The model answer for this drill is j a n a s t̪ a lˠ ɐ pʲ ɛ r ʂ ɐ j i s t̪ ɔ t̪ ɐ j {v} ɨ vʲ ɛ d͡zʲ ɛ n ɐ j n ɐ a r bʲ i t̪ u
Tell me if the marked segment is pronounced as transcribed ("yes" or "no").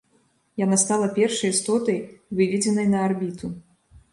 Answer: yes